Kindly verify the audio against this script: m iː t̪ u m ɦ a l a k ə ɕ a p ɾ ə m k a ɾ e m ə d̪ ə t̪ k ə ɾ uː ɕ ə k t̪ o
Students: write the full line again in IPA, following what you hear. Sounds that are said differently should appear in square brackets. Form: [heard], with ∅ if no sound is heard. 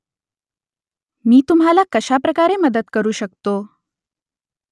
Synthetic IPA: m iː t̪ u m ɦ a l a k ə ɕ a p ɾ ə [∅] k a ɾ e m ə d̪ ə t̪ k ə ɾ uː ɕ ə k t̪ o